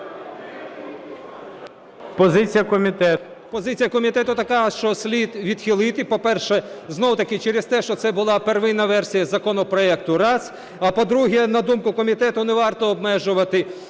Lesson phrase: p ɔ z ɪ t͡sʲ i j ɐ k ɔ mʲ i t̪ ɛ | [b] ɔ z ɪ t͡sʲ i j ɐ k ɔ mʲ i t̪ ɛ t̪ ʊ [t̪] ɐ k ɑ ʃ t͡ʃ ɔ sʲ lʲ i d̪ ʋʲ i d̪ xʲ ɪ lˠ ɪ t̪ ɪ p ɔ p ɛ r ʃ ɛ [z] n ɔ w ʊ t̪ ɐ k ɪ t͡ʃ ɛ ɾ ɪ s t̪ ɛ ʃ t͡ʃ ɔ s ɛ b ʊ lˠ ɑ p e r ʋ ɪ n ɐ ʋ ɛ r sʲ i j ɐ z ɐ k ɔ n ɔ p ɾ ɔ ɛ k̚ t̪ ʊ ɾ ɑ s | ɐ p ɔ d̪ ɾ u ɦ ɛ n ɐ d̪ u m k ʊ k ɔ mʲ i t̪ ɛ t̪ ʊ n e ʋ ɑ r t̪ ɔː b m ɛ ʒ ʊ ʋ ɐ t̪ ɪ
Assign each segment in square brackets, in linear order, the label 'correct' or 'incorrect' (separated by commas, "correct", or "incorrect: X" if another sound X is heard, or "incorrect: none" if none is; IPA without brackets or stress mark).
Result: incorrect: p, correct, correct